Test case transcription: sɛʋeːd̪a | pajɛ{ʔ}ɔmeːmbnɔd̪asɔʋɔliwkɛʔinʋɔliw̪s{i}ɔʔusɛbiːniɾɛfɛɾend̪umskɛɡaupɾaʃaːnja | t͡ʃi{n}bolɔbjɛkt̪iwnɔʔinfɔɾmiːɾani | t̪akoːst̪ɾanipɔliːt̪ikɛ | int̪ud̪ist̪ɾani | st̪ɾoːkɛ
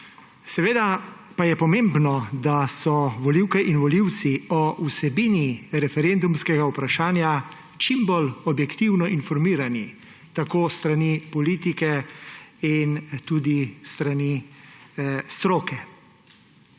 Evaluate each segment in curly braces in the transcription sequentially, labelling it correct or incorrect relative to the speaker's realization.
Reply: incorrect: p, correct, incorrect: m

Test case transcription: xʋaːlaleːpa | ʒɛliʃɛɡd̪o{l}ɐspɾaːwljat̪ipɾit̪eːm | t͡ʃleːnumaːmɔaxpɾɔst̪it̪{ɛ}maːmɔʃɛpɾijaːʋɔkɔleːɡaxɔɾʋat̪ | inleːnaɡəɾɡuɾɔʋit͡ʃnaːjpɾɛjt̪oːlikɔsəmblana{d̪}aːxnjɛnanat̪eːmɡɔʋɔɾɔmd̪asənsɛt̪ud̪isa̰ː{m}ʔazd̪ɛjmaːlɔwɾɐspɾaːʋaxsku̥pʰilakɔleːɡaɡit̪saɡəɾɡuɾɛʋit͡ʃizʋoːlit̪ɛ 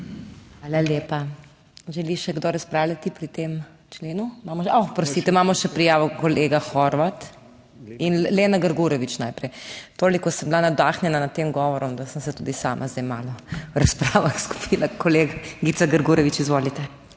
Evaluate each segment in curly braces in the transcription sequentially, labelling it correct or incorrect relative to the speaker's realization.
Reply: incorrect: ɾ, correct, correct, correct

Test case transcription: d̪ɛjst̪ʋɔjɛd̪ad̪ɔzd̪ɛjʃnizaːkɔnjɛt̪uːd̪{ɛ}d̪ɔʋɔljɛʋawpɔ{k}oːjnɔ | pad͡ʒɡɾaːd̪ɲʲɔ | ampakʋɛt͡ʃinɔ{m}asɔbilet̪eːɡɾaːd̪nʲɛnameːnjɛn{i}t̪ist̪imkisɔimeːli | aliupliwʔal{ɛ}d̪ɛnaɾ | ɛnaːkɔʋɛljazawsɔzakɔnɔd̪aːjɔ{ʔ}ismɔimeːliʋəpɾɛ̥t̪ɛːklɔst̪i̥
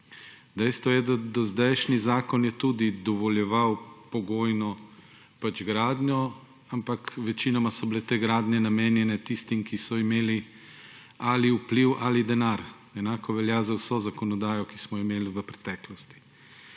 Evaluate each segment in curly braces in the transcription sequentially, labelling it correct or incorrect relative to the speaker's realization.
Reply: incorrect: i, incorrect: ɡ, correct, incorrect: ɛ, incorrect: i, incorrect: k

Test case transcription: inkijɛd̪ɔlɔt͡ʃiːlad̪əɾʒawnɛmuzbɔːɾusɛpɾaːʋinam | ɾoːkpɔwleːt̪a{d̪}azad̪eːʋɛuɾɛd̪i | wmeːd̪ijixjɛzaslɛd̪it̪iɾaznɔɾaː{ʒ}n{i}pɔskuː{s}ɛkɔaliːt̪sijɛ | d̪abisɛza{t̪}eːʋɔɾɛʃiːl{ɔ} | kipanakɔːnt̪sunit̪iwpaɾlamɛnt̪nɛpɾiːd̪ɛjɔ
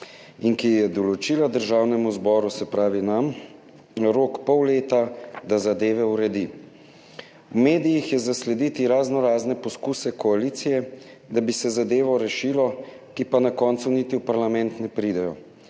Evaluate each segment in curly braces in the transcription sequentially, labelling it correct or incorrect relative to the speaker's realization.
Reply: correct, incorrect: z, incorrect: ɛ, correct, incorrect: d̪, correct

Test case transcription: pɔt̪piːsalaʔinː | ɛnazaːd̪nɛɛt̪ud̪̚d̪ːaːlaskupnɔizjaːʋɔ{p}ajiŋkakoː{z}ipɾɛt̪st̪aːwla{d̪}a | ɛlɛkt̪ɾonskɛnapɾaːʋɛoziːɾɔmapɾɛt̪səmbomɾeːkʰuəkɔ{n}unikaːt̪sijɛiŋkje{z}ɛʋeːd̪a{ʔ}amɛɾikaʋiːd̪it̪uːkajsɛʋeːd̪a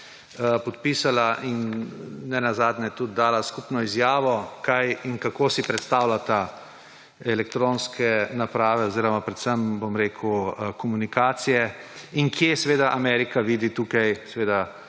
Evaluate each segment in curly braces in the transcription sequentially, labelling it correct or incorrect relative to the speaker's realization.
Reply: incorrect: k, incorrect: s, incorrect: t̪, incorrect: m, incorrect: s, correct

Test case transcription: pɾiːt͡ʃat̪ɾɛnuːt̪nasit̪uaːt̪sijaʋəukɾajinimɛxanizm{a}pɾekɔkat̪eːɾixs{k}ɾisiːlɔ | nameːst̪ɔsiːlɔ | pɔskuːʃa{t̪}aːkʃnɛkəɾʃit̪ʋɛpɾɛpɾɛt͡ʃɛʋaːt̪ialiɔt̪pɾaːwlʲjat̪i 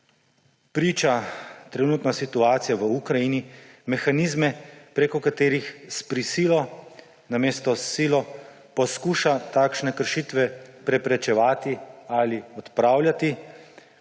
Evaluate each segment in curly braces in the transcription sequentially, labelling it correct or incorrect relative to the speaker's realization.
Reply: incorrect: ɛ, incorrect: p, correct

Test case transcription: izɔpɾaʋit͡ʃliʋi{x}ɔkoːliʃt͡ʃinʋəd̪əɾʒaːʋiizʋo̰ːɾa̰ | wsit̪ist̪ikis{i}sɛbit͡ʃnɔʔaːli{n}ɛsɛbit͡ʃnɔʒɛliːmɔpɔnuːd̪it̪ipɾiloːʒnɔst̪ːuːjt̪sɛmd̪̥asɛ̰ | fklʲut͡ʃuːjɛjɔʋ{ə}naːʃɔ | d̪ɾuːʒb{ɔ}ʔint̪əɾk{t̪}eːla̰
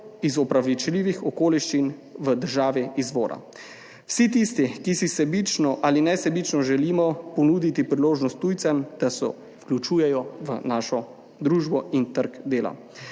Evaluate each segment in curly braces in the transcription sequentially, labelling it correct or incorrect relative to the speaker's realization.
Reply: correct, correct, correct, correct, correct, incorrect: d̪

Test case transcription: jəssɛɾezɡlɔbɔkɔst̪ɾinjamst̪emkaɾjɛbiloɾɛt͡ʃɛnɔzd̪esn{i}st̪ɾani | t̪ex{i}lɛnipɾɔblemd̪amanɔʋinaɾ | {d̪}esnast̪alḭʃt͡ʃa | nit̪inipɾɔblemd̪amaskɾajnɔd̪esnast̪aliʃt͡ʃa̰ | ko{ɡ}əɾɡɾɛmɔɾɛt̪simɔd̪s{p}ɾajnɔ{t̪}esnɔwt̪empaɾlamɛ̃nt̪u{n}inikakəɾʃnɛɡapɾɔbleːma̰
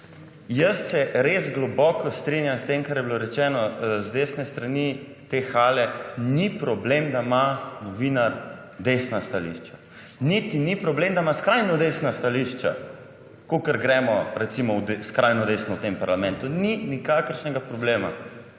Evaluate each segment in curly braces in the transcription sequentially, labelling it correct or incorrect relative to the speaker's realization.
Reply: incorrect: ɛ, incorrect: a, correct, incorrect: k, incorrect: k, incorrect: d̪, correct

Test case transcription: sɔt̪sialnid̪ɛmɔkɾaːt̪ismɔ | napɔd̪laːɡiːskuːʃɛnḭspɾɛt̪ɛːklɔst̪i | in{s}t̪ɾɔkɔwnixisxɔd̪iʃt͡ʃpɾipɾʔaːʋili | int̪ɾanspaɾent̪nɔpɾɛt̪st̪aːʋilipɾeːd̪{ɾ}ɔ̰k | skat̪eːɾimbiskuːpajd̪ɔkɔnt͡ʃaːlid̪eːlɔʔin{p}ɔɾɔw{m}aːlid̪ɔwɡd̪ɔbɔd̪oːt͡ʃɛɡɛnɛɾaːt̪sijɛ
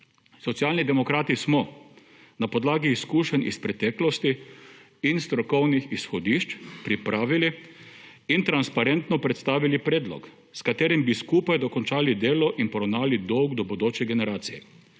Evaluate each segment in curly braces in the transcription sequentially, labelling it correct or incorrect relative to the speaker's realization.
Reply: correct, incorrect: l, correct, incorrect: n

